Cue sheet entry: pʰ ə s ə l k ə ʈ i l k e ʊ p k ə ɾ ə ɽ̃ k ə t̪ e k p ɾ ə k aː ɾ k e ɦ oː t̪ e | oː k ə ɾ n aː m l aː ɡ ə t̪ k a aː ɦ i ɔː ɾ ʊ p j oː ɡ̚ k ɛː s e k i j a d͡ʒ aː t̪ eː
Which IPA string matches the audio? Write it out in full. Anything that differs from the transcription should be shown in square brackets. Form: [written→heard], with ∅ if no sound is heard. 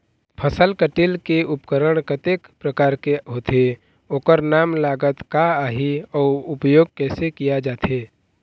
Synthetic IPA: pʰ ə s ə l k ə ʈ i l k e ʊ p k ə ɾ ə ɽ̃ k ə t̪ e k p ɾ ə k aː ɾ k e ɦ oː t̪ e | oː k ə ɾ n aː m l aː ɡ ə t̪ k a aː ɦ i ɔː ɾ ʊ p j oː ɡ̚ k ɛː s e k i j a d͡ʒ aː t̪ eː